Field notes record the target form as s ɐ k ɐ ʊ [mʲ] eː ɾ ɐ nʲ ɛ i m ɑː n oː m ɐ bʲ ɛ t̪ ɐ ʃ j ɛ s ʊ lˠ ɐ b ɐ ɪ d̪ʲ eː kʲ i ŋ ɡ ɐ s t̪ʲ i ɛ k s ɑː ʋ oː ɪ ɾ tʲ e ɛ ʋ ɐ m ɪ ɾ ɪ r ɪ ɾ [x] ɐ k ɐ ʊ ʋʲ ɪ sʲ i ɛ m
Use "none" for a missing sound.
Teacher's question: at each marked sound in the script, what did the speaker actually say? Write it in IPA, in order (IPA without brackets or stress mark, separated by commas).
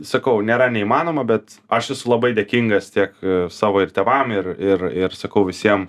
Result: nʲ, s